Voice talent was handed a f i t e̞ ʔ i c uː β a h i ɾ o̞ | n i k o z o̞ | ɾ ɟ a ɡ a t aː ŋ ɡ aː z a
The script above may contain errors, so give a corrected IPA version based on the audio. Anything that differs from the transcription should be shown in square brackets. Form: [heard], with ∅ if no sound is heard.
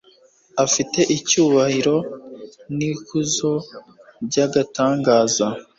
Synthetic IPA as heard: a f i t e̞ ʔ i c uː β a h i ɾ o̞ | n i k [u] z o̞ | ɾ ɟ a ɡ a t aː ŋ ɡ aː z a